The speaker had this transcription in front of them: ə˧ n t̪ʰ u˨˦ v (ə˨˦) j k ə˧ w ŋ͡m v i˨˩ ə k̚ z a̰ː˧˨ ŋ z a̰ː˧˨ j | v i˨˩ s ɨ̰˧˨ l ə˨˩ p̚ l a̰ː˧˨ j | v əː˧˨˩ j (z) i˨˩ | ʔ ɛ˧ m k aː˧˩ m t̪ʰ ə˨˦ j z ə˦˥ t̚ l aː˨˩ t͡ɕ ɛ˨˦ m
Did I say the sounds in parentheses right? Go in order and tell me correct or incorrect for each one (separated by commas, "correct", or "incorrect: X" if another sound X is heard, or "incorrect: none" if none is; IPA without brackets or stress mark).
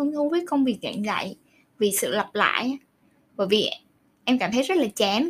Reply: incorrect: əː˨˦, incorrect: v